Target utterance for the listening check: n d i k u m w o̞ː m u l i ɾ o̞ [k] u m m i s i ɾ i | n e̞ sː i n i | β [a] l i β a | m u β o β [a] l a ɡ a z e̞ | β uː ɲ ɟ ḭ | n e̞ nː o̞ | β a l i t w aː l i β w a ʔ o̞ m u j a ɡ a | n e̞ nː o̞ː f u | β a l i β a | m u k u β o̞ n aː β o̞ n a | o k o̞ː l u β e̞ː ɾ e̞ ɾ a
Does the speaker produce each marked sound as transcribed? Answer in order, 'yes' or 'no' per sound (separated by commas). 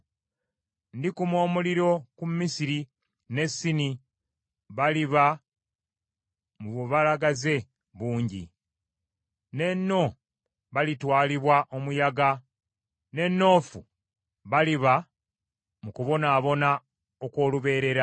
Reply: yes, yes, yes